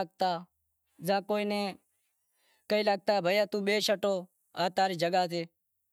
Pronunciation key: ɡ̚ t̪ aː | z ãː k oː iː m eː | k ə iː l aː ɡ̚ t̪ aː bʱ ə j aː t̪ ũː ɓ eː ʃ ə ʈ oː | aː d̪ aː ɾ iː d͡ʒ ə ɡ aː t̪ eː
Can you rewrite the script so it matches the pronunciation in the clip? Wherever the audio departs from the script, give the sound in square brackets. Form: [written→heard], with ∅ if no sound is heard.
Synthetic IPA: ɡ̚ t̪ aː | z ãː k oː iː [m→n] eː | k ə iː l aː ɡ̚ t̪ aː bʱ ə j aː t̪ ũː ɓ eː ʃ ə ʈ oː | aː [d̪→t̪] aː ɾ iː d͡ʒ ə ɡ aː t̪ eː